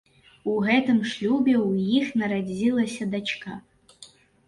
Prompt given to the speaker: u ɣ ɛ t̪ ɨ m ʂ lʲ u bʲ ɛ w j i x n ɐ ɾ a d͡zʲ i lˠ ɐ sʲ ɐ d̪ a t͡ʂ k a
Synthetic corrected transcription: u ɣ ɛ t̪ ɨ m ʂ lʲ u bʲ ɛ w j i x n ɐ ɾ a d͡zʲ i lˠ ɐ sʲ ɐ d̪ a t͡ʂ k a